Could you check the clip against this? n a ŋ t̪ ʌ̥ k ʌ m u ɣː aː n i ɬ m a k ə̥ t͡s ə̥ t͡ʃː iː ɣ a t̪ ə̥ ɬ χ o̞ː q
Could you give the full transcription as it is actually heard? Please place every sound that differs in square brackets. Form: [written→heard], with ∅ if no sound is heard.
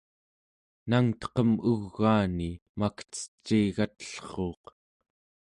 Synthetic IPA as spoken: n a ŋ t̪ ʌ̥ [k→q] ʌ m u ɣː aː n i [ɬ→∅] m a k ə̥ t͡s ə̥ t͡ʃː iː ɣ a t̪ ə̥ ɬ χ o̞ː q